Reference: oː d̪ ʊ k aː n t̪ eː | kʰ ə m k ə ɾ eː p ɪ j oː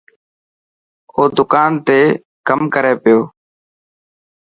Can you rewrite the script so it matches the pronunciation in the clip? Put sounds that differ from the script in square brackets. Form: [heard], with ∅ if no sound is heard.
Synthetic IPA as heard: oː d̪ ʊ k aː n t̪ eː | [k] ə m k ə ɾ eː p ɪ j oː